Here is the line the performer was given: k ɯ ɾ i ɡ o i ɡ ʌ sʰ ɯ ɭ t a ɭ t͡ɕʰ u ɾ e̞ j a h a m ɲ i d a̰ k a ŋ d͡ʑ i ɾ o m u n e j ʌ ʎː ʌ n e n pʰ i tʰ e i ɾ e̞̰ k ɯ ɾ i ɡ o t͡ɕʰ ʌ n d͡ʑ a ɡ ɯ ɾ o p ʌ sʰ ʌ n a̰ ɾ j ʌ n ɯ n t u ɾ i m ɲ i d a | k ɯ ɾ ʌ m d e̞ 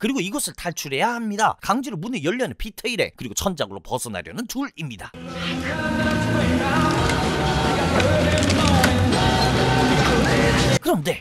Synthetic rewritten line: k ɯ ɾ i ɡ o i ɡ ʌ sʰ ɯ ɭ t a ɭ t͡ɕʰ u ɾ e̞ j a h a m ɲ i d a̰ k a ŋ d͡ʑ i ɾ o m u n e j ʌ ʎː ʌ n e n pʰ i tʰ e i ɾ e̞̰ k ɯ ɾ i ɡ o t͡ɕʰ ʌ n d͡ʑ a ɡ ɯ ɾ o p ʌ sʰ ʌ n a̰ ɾ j ʌ n ɯ n t u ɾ i m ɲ i d a | k ɯ ɾ ʌ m d e̞